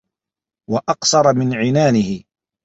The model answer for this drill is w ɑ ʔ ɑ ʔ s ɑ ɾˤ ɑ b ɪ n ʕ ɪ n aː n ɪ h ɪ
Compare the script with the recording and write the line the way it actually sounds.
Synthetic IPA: w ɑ ʔ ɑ q s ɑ ɾˤ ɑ m ɪ n ʕ ɪ n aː n ɪ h ɪ